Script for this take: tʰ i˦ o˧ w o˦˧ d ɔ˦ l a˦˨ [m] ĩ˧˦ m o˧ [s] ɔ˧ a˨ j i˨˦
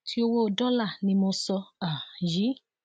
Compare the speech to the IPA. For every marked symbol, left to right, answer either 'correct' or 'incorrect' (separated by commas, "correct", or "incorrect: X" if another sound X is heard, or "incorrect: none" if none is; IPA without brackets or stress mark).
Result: incorrect: n, correct